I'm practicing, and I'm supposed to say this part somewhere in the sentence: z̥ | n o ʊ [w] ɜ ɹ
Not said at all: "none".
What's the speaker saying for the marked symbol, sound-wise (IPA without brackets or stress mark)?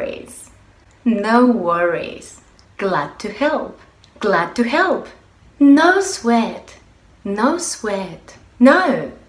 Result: w